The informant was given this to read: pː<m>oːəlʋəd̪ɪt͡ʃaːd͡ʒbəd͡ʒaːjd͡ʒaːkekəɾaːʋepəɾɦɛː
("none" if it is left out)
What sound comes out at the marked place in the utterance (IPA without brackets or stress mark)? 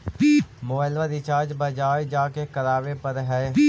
m